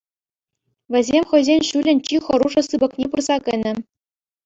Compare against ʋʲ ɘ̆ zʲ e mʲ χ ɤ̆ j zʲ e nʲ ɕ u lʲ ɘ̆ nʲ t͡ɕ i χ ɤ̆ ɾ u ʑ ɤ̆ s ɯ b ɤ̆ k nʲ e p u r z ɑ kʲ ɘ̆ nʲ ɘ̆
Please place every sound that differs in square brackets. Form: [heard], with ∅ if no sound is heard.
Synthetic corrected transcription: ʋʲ ɘ̆ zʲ e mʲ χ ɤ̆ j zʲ e nʲ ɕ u lʲ ɘ̆ nʲ t͡ɕ i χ ɤ̆ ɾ u [ʐ] ɤ̆ s ɯ b ɤ̆ k nʲ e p u r z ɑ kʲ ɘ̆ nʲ ɘ̆

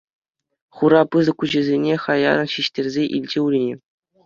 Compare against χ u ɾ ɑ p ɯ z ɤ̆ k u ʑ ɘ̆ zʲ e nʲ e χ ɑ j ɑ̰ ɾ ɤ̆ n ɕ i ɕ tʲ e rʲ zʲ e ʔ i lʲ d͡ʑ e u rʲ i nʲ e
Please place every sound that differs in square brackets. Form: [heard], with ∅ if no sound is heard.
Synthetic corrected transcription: χ u ɾ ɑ p ɯ z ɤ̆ k u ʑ ɘ̆ zʲ e nʲ e χ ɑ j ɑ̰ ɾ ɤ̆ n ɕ i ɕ tʲ e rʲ zʲ e ʔ i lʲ d͡ʑ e u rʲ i nʲ e

